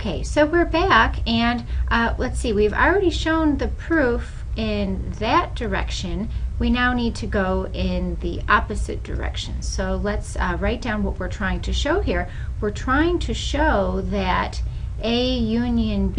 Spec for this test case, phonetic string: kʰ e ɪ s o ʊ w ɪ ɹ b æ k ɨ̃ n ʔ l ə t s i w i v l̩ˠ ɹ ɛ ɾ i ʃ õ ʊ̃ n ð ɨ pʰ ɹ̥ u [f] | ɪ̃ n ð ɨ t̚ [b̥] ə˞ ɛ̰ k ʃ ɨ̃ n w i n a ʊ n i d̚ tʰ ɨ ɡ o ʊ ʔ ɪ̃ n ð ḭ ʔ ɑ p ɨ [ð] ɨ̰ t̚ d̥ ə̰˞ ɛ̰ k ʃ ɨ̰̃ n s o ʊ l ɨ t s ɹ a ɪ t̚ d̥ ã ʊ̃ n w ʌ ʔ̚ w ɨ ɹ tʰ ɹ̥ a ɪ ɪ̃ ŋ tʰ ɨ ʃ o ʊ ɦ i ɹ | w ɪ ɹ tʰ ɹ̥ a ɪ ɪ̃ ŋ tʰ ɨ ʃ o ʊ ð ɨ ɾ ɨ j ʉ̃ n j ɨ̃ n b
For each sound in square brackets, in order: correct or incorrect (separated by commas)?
correct, incorrect, incorrect